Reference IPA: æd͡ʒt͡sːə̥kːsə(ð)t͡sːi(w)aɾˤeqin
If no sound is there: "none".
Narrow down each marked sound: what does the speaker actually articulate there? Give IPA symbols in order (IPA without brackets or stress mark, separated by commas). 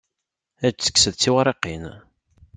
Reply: ð, w